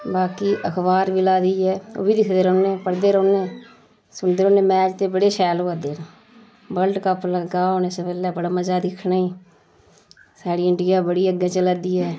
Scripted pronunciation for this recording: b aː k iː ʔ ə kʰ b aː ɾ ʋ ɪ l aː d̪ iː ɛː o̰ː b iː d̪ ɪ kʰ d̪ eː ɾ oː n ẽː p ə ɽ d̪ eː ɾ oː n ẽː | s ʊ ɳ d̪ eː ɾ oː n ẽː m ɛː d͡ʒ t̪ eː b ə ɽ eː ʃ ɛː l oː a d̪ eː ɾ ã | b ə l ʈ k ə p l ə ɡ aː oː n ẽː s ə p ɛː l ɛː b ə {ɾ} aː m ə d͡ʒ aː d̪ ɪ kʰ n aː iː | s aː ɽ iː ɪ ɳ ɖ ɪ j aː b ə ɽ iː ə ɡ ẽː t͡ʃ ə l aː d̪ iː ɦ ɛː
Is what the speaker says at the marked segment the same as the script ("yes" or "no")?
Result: no